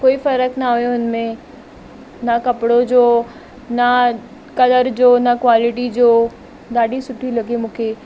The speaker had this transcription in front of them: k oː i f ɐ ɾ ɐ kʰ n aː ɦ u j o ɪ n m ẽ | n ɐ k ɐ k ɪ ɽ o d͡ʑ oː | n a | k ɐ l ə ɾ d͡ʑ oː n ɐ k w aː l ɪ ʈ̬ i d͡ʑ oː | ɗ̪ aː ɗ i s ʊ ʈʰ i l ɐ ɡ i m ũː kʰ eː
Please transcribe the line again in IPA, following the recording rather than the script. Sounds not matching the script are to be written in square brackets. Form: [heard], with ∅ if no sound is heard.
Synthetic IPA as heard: k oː i f ɐ ɾ [ə] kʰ n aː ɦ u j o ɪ n m ẽ | n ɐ k ɐ [p] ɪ ɽ o d͡ʑ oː | n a | k ɐ l ə ɾ d͡ʑ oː n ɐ k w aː l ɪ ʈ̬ i d͡ʑ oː | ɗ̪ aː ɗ i s ʊ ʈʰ i l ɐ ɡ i m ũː kʰ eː

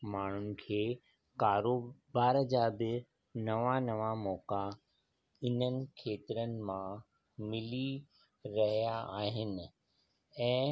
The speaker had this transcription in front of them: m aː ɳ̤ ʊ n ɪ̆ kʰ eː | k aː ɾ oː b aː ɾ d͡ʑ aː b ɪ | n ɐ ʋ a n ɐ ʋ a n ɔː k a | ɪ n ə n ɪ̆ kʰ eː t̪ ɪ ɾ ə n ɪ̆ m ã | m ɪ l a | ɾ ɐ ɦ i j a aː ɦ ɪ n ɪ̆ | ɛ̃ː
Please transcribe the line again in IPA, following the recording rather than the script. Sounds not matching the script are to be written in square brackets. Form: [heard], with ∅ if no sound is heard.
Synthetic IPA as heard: m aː ɳ̤ ʊ n ɪ̆ kʰ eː | k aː ɾ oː b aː ɾ d͡ʑ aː b ɪ | n ɐ ʋ a n ɐ ʋ a [m] ɔː k a | ɪ n ə n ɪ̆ kʰ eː t̪ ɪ ɾ ə n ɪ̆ m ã | m ɪ l [i] | ɾ ɐ ɦ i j a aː ɦ ɪ n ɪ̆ | ɛ̃ː

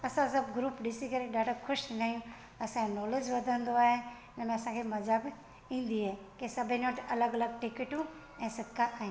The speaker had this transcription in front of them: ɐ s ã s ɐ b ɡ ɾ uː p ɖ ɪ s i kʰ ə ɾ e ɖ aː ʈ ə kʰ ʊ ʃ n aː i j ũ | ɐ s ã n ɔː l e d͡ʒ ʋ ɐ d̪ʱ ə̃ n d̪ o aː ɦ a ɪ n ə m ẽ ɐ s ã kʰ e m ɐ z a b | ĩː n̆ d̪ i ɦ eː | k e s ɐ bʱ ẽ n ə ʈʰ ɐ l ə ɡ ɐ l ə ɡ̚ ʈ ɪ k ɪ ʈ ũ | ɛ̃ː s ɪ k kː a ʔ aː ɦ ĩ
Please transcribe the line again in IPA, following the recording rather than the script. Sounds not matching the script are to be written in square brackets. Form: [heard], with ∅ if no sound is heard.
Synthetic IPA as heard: ɐ s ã s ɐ b ɡ ɾ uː p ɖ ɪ s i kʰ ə ɾ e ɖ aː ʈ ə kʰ ʊ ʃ n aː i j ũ | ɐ s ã n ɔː l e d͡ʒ ʋ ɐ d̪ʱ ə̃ n d̪ o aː ɦ [e] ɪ n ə m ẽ ɐ s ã kʰ e m ɐ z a b | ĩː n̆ d̪ i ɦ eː | k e s ɐ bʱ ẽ n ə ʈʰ ɐ l ə ɡ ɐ l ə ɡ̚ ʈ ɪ k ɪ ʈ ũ | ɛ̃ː s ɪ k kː a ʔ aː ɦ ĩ

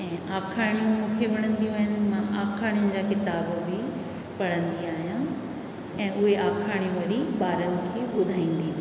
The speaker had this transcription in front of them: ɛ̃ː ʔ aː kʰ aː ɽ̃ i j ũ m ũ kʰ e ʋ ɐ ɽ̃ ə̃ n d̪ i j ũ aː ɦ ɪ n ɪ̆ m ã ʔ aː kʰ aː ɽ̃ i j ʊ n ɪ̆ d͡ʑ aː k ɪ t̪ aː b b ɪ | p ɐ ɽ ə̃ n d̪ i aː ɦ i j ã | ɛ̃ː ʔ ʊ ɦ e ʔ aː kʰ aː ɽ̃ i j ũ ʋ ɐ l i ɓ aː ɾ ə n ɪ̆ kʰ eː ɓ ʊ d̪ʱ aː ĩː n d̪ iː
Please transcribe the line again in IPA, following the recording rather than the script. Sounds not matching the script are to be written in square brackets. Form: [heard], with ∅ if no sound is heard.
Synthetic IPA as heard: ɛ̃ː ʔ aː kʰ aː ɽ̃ i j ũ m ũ kʰ e ʋ ɐ ɽ̃ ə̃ n d̪ i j ũ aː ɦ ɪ n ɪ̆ m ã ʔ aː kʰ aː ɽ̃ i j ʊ n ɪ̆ d͡ʑ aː k ɪ t̪ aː b b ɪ | p ɐ ɽ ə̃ n d̪ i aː ɦ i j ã | ɛ̃ː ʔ ʊ ɦ e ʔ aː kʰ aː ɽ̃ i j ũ ʋ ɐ [ɾ] i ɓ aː ɾ ə n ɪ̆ kʰ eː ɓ ʊ d̪ʱ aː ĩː n d̪ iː

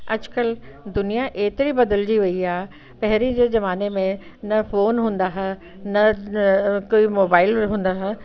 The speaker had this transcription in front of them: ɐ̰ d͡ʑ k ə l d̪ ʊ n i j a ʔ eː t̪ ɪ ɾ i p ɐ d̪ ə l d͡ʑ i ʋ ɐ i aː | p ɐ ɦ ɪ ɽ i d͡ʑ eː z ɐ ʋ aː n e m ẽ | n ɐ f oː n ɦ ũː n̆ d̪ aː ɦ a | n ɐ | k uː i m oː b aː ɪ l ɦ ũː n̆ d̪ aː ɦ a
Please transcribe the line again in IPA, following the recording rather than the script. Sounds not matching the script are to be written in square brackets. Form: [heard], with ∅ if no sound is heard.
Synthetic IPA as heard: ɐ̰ d͡ʑ k ə l d̪ ʊ n i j a ʔ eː t̪ ɪ ɾ i [b] ɐ d̪ ə l d͡ʑ i ʋ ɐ i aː | p ɐ ɦ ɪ [ɾ] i d͡ʑ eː z ɐ ʋ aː n e m ẽ | n ɐ f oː n ɦ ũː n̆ d̪ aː ɦ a | n ɐ | k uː i m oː b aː ɪ l ɦ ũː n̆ d̪ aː ɦ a

